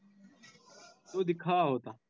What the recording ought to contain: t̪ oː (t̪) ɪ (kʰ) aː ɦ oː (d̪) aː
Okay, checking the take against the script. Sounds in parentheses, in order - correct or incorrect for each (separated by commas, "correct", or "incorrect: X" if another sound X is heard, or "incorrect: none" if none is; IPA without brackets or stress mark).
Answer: incorrect: d̪, correct, incorrect: t̪